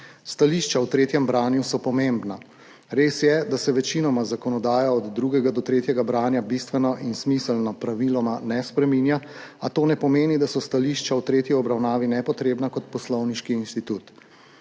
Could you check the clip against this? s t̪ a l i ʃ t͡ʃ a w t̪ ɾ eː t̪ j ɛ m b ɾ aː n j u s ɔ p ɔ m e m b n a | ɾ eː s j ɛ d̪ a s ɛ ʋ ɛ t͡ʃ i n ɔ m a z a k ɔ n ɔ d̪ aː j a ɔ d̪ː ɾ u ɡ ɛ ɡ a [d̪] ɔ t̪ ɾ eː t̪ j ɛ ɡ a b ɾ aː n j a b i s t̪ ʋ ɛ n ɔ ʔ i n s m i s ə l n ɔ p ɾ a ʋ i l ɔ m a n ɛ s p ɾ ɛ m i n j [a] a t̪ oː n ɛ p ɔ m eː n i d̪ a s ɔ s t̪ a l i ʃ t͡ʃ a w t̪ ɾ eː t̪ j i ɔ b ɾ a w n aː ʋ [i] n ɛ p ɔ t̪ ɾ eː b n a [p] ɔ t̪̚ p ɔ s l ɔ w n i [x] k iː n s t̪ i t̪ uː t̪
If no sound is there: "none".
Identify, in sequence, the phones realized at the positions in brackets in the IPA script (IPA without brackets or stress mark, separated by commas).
d̪, a, i, k, ʃ